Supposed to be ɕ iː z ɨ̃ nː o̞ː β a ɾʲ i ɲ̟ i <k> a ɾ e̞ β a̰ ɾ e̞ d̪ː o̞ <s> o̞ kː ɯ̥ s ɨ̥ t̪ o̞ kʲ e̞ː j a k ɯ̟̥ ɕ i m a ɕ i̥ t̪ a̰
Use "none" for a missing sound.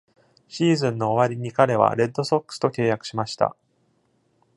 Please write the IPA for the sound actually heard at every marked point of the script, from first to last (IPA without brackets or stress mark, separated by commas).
k, s